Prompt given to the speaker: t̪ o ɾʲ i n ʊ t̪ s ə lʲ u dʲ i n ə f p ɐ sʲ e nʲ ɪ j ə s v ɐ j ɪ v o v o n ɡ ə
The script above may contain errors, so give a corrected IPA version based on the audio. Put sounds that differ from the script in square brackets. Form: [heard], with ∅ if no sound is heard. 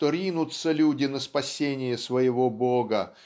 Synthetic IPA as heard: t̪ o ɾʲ i n ʊ t̪ s ə lʲ u dʲ [ɪ] n ə [s] p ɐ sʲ e nʲ ɪ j ə s v [ə] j ɪ v o [b] o [∅] ɡ ə

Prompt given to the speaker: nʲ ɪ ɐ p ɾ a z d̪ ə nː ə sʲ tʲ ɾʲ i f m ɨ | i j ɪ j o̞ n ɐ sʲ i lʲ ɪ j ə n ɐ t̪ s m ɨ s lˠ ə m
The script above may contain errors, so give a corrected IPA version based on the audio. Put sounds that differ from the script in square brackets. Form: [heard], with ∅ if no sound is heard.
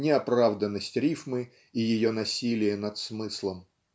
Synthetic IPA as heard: nʲ ɪ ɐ p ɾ a [v] d̪ ə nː ə sʲ tʲ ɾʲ i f m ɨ | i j ɪ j o̞ n ɐ sʲ i lʲ ɪ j ə n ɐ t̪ s m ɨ s lˠ ə m

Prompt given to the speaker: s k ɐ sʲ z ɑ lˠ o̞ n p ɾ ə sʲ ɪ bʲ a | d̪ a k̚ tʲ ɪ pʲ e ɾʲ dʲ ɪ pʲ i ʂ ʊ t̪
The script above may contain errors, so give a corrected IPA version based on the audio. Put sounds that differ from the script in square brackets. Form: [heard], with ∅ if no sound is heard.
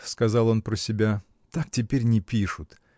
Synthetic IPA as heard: s k ɐ [∅] z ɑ lˠ o̞ n p ɾ ə sʲ ɪ bʲ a | [t̪] a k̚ tʲ ɪ pʲ e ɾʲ [nʲ] ɪ pʲ i ʂ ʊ t̪

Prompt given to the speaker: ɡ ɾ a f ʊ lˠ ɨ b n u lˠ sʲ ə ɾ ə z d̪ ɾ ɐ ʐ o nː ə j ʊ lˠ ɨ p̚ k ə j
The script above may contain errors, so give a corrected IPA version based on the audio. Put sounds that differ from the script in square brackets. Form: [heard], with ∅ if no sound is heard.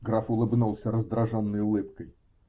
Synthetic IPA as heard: ɡ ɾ a f ʊ lˠ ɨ b n u lˠ sʲ ə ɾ ə z d̪ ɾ ɐ ʐ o nː ə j ʊ lˠ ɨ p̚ k ə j

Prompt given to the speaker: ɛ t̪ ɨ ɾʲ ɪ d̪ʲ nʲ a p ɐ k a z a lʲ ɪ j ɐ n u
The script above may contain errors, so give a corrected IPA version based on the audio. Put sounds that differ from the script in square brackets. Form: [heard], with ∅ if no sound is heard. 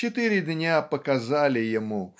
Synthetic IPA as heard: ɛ t̪ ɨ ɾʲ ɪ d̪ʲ nʲ a p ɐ k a z a lʲ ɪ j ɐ [m] u

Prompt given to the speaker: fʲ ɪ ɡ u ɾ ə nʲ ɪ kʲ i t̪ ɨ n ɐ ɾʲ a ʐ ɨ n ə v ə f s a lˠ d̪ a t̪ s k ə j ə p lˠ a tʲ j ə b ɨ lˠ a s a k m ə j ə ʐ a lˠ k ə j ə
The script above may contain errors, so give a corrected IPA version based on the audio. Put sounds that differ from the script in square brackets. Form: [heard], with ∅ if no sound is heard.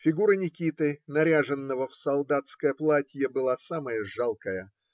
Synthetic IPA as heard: fʲ ɪ ɡ u ɾ ə nʲ ɪ kʲ i t̪ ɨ n ɐ ɾʲ a ʐ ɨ [nː] ə v ə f s [ɐ] lˠ d̪ a t̪ s k ə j ə p lˠ a tʲ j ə b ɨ lˠ a s a [∅] m ə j ə ʐ a lˠ k ə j ə

